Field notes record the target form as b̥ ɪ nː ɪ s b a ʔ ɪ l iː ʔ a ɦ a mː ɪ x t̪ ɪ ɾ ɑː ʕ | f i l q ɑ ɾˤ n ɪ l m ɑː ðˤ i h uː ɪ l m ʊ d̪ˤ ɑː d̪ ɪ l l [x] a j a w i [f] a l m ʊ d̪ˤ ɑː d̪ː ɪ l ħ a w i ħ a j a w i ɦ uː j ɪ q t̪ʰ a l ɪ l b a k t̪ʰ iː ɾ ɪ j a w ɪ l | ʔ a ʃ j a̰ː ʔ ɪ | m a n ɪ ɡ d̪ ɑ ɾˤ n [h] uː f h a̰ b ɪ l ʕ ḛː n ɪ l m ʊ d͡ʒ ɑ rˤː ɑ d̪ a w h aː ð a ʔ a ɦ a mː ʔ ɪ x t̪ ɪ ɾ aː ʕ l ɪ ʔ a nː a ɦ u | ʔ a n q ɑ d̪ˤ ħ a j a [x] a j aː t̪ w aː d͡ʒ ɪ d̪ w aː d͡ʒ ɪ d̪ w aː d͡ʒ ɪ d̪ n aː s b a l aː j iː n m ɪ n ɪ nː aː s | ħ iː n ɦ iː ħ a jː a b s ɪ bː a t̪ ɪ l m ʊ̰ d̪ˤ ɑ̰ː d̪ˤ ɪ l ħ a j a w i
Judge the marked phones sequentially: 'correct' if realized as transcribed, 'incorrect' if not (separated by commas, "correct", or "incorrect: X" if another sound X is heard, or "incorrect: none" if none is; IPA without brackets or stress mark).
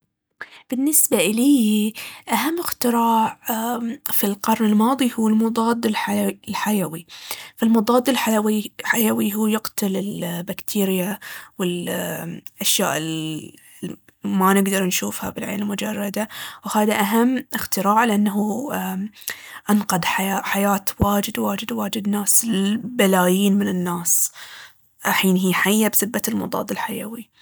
incorrect: ħ, correct, incorrect: ʃ, incorrect: ħ